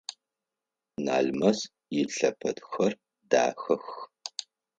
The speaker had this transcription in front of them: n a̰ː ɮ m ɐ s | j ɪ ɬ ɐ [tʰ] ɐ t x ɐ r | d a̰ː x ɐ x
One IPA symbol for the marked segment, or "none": pʰ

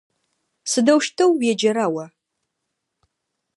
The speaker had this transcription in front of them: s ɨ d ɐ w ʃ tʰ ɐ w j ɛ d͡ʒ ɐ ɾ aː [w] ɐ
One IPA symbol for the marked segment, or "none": w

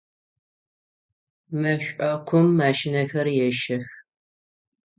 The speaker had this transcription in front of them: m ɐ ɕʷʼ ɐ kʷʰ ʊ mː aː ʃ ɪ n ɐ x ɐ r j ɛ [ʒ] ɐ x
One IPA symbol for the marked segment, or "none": ʃ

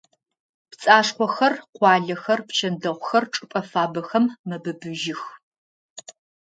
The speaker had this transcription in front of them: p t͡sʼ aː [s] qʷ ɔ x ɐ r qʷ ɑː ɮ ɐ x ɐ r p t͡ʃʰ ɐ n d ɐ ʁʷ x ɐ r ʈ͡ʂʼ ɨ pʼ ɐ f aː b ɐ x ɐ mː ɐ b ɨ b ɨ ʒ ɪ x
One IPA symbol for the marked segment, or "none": ʂ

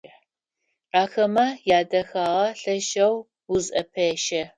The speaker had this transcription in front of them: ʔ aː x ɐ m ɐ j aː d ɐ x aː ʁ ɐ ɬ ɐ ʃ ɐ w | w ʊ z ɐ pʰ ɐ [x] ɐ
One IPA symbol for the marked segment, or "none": ʃ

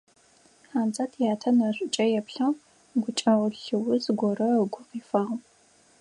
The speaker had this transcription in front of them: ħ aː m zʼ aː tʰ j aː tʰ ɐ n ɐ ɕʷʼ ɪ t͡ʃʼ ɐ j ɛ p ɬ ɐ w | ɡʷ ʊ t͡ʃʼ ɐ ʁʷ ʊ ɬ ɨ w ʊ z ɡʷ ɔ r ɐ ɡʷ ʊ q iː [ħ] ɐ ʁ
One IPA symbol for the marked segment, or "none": f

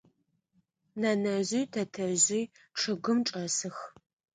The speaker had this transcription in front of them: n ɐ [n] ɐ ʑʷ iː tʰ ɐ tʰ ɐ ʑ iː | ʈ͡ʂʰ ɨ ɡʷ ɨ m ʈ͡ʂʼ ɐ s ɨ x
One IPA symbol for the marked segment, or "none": n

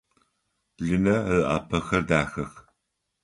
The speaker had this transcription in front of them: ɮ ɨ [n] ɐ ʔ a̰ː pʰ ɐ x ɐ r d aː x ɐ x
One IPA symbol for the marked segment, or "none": n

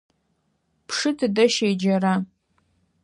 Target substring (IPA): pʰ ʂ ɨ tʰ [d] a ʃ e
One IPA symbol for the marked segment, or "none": d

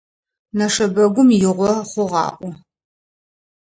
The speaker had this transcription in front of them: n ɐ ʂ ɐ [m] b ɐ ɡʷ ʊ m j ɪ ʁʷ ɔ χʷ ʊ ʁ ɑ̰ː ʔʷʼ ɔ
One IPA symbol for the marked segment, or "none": none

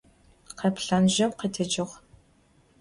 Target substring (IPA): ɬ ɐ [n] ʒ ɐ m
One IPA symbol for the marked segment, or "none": n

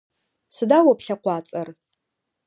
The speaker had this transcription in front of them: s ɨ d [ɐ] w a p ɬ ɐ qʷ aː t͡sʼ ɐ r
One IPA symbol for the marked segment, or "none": a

